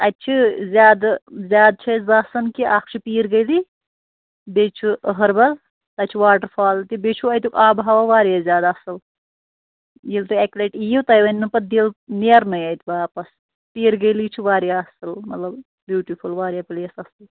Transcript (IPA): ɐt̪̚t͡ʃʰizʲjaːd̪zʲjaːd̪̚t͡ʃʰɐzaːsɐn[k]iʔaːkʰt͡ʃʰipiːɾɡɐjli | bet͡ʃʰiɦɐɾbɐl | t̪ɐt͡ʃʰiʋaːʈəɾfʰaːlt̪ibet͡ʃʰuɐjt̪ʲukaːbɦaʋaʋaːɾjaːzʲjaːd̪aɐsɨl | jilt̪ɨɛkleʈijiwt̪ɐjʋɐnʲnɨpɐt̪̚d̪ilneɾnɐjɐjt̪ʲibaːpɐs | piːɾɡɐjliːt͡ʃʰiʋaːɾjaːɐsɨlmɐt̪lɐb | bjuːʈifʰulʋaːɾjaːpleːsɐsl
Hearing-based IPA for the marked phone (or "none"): k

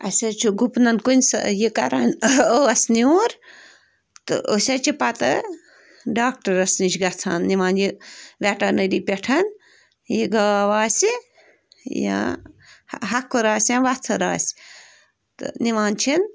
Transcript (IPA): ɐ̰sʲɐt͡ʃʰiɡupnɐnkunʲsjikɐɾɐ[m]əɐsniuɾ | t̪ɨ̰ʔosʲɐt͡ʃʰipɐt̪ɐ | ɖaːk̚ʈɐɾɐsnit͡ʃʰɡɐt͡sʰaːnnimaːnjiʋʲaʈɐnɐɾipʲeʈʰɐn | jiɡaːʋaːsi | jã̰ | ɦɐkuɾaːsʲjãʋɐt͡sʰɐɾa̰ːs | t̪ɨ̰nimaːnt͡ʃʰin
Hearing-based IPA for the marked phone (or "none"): n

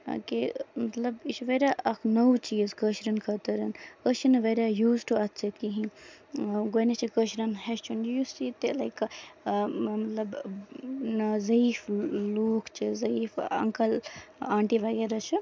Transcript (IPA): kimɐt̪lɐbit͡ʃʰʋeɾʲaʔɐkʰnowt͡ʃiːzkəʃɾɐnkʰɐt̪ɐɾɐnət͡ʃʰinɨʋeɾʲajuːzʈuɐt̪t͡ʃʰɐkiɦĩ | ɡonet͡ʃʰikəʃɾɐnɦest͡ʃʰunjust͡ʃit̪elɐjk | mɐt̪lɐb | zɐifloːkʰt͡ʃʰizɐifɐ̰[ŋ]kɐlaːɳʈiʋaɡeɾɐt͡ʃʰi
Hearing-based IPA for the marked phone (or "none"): ŋ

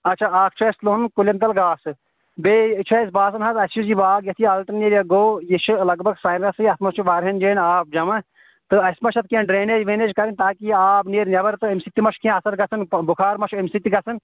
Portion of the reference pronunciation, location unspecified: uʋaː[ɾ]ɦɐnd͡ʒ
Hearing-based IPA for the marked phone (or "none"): ɾ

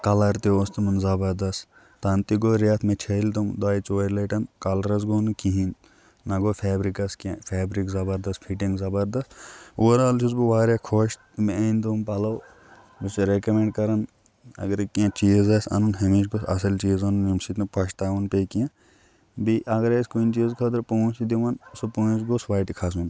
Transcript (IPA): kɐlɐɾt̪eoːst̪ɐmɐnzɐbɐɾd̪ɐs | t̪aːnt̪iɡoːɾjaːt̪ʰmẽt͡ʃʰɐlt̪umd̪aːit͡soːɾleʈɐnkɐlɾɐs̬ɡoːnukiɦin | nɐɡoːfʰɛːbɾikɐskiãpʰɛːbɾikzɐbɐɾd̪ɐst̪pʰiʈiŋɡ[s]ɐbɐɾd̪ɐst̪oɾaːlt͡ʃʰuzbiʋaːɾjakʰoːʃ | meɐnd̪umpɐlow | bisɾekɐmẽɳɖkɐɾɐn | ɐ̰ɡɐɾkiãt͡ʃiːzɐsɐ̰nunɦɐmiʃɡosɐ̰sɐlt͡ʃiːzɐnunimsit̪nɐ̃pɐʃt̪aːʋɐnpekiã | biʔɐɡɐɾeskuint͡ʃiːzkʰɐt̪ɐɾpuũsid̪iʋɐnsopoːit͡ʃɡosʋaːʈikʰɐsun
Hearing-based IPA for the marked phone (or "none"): z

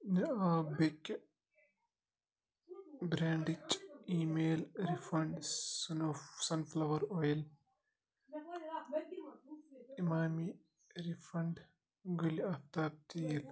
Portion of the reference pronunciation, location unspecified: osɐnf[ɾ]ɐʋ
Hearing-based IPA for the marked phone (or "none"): l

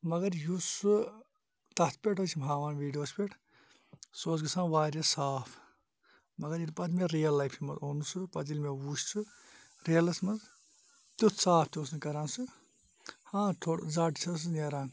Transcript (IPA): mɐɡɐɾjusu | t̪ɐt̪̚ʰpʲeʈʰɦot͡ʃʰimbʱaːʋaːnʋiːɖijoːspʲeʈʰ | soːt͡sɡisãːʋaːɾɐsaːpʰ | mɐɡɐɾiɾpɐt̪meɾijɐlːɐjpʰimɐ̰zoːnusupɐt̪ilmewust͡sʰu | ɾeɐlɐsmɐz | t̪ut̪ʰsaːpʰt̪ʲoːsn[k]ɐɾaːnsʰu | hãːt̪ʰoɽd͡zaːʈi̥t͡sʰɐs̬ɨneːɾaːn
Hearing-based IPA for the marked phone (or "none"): k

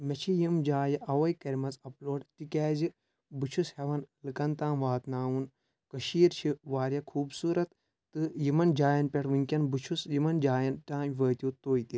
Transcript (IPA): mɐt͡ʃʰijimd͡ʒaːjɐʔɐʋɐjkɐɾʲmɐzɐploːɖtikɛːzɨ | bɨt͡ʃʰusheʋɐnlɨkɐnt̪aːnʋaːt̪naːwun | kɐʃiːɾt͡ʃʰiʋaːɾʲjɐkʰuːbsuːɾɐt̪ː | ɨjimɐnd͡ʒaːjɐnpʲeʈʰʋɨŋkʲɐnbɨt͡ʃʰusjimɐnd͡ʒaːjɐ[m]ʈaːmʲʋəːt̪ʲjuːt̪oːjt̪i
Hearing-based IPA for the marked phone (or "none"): n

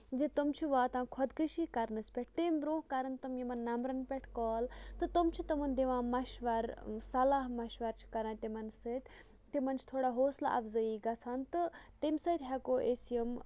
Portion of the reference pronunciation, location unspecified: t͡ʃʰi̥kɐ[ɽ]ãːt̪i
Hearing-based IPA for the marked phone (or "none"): ɾ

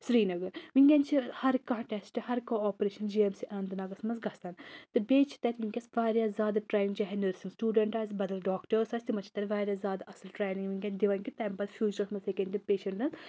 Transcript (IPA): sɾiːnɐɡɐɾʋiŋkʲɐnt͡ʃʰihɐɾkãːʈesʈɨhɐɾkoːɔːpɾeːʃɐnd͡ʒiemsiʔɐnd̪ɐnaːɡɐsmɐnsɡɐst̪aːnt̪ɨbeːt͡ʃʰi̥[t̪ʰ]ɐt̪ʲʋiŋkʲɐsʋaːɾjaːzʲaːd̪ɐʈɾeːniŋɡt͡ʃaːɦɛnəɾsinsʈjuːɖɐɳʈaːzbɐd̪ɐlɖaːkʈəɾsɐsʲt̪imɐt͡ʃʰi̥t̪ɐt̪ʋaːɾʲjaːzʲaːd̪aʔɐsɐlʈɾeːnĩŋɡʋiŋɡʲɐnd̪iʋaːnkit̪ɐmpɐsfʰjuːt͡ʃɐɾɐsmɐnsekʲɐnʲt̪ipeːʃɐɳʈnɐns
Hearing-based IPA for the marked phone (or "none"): t̪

